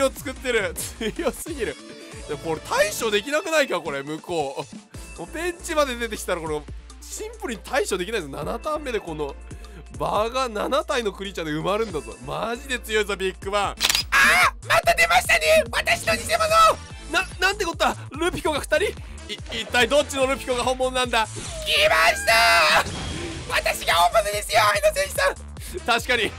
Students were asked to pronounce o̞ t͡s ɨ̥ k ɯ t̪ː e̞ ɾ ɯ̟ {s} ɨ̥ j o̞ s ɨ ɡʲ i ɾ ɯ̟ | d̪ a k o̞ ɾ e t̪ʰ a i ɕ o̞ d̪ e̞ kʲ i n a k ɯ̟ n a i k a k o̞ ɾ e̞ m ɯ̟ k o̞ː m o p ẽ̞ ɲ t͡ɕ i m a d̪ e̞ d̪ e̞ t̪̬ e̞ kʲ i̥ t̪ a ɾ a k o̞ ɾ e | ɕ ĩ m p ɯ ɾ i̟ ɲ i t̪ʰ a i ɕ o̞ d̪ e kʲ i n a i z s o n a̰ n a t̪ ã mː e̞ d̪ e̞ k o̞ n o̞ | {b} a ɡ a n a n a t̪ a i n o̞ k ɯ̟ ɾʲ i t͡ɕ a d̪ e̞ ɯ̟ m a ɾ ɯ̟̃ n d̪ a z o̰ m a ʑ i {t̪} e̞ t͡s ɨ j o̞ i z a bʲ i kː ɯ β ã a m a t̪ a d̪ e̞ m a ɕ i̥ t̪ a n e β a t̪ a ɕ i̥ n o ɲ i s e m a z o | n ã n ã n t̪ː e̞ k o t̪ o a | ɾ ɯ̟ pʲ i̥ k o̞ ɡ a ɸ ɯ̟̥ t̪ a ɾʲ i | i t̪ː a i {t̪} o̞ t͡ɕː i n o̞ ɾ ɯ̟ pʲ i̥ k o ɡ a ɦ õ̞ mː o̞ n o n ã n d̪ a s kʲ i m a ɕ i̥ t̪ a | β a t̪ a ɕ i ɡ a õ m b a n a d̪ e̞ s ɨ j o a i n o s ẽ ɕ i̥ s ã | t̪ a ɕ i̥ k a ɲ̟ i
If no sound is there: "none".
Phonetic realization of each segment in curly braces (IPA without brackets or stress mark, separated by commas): t͡s, b, d̪, d̪